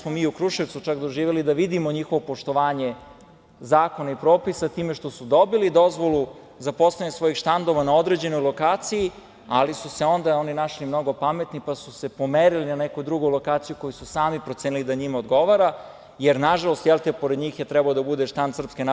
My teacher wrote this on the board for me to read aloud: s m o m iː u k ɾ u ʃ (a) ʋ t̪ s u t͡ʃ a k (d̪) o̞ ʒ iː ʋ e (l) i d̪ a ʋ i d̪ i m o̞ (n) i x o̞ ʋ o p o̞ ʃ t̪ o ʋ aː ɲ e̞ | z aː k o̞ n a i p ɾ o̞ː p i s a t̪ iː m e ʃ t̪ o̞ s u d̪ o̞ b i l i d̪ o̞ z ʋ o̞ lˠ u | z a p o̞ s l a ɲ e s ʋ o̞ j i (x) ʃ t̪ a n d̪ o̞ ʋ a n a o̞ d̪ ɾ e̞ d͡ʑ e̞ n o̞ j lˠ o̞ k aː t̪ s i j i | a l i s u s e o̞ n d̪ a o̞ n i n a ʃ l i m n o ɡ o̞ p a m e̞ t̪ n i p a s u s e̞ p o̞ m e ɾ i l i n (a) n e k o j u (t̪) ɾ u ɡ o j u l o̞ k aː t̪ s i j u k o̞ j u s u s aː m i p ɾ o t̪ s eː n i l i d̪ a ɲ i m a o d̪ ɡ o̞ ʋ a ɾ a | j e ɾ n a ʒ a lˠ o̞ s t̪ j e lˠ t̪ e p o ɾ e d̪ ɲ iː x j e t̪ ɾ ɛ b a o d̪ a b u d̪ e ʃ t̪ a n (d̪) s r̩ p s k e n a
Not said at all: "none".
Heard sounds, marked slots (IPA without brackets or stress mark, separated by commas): e, d̪, l, ɲ, x, a, d̪, d̪